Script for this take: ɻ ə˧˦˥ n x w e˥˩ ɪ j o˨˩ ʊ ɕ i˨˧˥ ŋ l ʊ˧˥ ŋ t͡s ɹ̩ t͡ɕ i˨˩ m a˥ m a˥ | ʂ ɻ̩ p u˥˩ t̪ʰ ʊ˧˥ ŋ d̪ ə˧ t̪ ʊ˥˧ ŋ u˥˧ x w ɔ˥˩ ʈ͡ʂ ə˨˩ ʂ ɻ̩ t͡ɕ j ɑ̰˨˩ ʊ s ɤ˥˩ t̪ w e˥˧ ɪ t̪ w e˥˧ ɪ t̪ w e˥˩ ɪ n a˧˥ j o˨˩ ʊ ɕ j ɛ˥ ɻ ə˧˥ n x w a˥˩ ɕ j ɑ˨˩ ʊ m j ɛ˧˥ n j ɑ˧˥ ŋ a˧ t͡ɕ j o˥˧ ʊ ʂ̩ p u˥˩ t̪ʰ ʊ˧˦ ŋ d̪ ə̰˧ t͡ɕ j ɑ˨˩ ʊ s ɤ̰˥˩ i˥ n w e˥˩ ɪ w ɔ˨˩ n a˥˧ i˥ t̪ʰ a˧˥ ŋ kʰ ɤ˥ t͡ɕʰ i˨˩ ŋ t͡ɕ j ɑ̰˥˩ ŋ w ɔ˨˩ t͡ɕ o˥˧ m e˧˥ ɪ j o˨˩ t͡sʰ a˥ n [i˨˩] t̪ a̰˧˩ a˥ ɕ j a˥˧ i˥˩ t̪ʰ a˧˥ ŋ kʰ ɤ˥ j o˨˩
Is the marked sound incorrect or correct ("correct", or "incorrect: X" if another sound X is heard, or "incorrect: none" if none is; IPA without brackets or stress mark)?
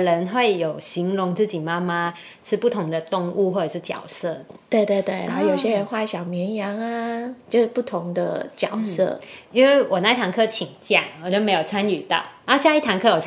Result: incorrect: y˨˩